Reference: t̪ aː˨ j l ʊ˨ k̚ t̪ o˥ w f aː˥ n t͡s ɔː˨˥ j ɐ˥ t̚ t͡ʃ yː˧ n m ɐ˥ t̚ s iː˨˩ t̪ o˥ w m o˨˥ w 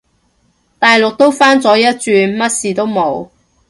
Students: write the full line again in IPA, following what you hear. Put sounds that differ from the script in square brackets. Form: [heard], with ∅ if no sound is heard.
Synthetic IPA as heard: t̪ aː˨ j l ʊ˨ k̚ t̪ o˥ w f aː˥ n t͡s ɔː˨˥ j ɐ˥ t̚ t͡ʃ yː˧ n m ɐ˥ t̚ s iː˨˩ t̪ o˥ w m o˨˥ w